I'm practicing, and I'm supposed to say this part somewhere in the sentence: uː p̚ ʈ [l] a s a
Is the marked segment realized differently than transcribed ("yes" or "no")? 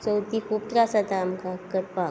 yes